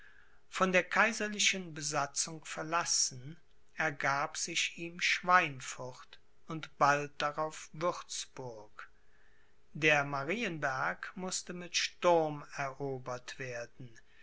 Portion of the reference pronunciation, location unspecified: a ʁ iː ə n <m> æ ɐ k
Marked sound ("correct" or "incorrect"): incorrect